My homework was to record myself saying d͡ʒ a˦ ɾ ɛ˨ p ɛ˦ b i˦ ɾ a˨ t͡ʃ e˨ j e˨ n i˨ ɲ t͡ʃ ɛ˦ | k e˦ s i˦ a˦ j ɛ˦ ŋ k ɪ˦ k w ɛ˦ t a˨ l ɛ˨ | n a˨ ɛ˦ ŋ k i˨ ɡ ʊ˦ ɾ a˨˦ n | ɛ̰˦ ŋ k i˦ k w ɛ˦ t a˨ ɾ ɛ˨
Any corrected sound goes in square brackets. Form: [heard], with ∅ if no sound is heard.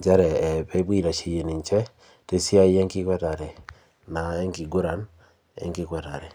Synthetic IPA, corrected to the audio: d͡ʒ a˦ ɾ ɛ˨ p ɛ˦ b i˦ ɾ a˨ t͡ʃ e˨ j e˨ n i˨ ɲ t͡ʃ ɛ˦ | [t] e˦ s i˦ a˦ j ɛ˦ ŋ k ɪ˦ k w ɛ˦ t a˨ [ɾ] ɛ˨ | n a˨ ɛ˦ ŋ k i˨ ɡ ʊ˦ ɾ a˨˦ n | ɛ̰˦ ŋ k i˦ k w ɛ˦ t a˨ ɾ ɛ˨